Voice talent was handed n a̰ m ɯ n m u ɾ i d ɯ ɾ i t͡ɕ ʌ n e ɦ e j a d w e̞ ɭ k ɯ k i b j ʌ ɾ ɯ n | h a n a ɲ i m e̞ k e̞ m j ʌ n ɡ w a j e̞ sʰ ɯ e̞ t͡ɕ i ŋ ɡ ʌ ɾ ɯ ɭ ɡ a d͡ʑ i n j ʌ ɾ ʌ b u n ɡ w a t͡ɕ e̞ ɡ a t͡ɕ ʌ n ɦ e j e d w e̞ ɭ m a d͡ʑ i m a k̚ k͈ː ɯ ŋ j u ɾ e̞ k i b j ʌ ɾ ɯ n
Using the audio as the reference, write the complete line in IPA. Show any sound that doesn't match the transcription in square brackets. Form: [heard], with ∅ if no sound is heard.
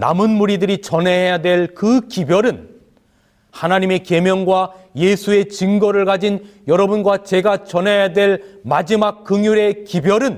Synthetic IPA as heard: n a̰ m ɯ n m u ɾ i d ɯ ɾ i t͡ɕ ʌ n e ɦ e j a d w e̞ ɭ k ɯ k i b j ʌ ɾ ɯ n | h a n a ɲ i m e̞ k e̞ m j ʌ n ɡ w a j e̞ sʰ [u] e̞ t͡ɕ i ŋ ɡ ʌ ɾ ɯ ɭ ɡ a d͡ʑ i n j ʌ ɾ ʌ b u n ɡ w a t͡ɕ e̞ ɡ a t͡ɕ ʌ n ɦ e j [a] d w e̞ ɭ m a d͡ʑ i m a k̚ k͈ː ɯ ŋ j u ɾ e̞ k i b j ʌ ɾ ɯ n